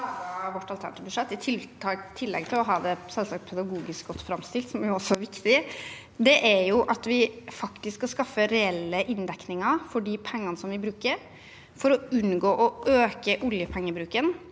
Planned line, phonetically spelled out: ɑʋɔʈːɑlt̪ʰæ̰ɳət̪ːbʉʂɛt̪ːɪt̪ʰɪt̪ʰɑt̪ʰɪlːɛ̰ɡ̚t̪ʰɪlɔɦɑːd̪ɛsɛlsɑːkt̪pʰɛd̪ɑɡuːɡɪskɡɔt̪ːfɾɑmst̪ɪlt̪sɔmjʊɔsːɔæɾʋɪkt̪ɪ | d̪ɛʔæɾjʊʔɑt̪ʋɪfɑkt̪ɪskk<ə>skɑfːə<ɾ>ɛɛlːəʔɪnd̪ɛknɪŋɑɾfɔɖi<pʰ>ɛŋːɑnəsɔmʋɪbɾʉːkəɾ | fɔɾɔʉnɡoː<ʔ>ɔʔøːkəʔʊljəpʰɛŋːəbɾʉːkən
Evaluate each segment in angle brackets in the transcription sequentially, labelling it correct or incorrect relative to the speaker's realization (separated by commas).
incorrect, correct, correct, correct